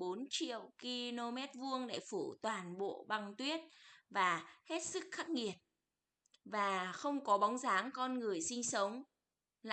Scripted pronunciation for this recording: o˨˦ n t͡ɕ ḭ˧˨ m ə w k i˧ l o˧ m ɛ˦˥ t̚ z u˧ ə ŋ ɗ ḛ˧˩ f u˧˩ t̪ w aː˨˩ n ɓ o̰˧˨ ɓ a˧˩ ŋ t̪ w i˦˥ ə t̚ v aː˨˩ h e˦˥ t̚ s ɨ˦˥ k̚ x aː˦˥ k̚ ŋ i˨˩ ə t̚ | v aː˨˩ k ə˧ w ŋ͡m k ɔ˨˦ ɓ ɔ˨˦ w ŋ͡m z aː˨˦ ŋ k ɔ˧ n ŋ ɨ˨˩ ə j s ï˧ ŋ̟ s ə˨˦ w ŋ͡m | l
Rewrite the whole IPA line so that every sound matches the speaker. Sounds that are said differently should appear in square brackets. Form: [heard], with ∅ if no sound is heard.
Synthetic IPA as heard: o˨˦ n t͡ɕ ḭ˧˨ [∅] ə w k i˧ l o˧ m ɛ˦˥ t̚ [v] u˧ ə ŋ ɗ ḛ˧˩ f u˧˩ t̪ w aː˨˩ n ɓ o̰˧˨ ɓ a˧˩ ŋ t̪ w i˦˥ ə t̚ v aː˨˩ h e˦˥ t̚ s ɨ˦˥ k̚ x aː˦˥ k̚ ŋ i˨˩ ə t̚ | v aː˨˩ [x] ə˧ w ŋ͡m k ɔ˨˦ ɓ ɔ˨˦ w ŋ͡m z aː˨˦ ŋ k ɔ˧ n ŋ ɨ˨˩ ə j s ï˧ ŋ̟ s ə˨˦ w ŋ͡m | l